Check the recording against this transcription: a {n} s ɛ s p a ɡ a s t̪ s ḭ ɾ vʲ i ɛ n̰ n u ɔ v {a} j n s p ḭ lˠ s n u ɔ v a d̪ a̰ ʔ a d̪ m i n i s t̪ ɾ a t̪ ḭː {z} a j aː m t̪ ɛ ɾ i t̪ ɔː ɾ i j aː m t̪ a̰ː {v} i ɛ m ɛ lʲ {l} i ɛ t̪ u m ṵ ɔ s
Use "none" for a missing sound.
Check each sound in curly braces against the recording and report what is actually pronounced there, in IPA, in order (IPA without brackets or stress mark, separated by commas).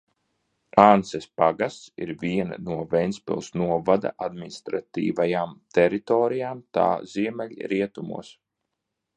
n, ɛ, v, z, ɾ